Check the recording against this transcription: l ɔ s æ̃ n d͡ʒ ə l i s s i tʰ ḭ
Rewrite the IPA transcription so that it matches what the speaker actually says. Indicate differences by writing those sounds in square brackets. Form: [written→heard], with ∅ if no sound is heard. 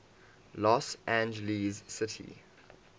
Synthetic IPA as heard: l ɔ s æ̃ n d͡ʒ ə l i [s→z] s [i→ɪ] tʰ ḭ